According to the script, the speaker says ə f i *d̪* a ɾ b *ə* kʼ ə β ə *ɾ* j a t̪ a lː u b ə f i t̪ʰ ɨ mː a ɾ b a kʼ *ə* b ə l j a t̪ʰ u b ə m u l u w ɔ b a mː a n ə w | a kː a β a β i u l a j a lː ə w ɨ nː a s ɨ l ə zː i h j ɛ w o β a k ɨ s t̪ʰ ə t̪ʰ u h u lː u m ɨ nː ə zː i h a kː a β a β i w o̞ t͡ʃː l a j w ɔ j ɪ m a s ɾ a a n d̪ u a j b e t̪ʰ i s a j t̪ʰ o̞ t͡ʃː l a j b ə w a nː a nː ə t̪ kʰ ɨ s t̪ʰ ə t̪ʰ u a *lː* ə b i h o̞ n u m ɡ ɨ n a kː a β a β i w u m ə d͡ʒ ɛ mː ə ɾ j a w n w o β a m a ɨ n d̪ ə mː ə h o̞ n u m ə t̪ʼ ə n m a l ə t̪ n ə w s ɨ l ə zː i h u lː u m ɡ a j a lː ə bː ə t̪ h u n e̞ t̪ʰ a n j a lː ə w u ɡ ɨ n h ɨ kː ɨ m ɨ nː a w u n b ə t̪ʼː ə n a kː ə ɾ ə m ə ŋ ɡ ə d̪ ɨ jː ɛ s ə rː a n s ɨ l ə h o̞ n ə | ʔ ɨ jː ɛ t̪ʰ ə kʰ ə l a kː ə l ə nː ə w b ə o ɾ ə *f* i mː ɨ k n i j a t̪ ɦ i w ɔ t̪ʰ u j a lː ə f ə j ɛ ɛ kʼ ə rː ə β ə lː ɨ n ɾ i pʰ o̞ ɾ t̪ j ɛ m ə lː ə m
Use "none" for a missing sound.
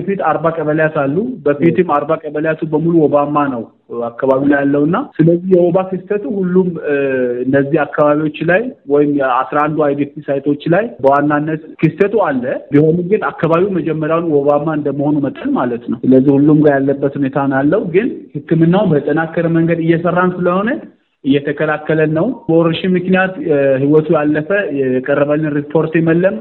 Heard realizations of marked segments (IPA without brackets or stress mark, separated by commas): t̪, a, l, ə, lː, ʃ